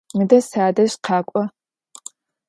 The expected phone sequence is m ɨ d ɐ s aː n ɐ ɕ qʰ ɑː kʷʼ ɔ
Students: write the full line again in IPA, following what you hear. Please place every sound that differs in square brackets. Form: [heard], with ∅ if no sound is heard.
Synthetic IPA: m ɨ d ɐ s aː [d] ɐ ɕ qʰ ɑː kʷʼ ɔ